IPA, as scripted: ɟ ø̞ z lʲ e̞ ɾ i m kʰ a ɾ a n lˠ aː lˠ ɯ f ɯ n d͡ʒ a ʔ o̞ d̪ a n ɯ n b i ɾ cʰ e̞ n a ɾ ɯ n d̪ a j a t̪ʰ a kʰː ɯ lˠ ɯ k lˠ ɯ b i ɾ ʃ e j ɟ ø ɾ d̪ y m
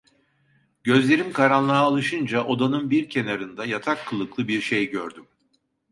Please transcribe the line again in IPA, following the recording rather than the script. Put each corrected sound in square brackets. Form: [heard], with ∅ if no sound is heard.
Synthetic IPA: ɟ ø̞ z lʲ e̞ ɾ i m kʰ a ɾ a n lˠ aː lˠ ɯ [ʃ] ɯ n d͡ʒ a ʔ o̞ d̪ a n ɯ n b i ɾ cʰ e̞ n a ɾ ɯ n d̪ a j a t̪ʰ a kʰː ɯ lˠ ɯ k lˠ ɯ b i ɾ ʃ e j ɟ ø ɾ d̪ y m